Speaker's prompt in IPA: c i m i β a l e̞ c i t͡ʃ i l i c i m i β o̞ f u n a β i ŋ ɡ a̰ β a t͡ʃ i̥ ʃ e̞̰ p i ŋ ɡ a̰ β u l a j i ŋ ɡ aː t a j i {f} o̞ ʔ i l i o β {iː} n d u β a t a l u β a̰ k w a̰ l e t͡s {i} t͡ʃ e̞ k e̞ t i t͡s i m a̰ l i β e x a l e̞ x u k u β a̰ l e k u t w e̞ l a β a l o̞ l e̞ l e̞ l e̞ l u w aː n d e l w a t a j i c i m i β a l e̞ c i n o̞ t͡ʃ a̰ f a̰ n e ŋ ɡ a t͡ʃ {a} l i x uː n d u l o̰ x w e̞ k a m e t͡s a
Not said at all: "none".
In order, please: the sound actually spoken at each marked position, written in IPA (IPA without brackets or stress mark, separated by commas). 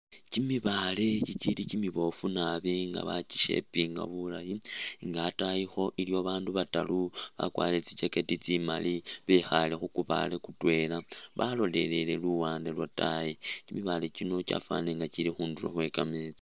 x, aː, i, i